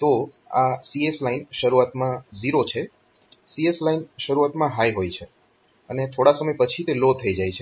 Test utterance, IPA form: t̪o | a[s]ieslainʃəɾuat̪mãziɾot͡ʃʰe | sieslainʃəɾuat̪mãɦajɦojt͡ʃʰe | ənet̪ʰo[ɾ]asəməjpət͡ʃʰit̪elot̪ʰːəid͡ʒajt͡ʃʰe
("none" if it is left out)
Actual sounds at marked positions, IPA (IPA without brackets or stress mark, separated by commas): s, ɽ